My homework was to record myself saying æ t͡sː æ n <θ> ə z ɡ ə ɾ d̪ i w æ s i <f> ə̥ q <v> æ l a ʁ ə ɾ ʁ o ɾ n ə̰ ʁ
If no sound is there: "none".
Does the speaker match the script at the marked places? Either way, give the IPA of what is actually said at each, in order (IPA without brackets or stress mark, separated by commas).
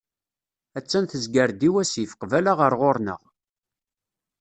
θ, f, v